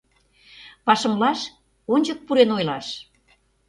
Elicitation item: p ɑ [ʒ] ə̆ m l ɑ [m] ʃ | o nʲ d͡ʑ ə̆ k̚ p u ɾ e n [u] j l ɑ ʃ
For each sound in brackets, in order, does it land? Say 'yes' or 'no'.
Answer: no, no, no

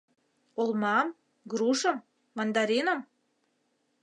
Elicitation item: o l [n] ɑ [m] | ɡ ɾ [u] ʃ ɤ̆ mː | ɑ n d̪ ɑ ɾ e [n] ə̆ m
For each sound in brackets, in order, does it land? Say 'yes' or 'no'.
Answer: no, yes, yes, yes

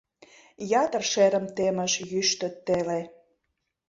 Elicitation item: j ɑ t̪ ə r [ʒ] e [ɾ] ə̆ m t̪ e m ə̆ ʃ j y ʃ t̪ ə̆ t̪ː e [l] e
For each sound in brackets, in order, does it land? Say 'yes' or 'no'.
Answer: no, yes, yes

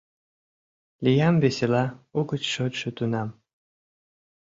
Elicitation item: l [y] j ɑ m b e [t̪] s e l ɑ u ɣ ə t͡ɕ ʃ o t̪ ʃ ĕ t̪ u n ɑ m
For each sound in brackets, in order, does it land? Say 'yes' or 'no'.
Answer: no, no

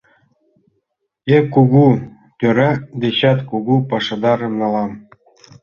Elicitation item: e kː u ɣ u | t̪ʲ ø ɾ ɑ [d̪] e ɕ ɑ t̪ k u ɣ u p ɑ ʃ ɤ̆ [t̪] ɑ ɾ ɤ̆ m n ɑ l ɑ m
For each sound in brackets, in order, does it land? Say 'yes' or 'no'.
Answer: yes, no

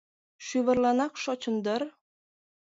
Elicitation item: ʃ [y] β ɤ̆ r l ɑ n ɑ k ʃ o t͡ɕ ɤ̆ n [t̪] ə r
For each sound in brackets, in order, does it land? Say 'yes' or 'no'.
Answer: yes, no

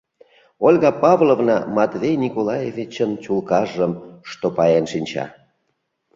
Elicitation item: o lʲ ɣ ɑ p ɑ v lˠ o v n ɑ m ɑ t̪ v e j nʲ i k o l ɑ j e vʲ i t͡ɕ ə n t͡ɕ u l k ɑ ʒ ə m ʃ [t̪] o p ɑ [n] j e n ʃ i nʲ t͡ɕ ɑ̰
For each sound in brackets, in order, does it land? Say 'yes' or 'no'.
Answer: yes, no

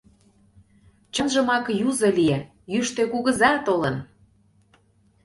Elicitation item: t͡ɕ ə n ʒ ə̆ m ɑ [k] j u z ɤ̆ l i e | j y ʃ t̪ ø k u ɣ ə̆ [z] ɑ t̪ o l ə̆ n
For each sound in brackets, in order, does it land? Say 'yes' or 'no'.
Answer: yes, yes

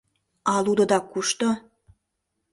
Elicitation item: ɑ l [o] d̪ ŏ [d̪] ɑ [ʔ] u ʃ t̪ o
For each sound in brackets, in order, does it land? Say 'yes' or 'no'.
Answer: no, yes, no

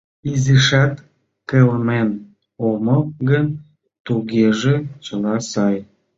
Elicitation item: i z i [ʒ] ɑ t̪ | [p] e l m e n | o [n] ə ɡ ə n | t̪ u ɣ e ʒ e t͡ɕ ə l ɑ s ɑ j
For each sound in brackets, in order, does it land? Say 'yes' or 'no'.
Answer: no, no, no

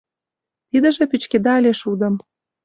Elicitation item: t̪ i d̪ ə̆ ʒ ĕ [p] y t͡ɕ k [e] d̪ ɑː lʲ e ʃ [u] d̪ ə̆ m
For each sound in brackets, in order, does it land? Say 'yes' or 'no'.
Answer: yes, yes, yes

